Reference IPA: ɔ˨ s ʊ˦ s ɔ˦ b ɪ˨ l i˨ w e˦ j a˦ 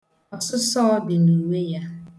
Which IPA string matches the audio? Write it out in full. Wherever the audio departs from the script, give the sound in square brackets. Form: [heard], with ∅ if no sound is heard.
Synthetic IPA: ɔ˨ s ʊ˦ s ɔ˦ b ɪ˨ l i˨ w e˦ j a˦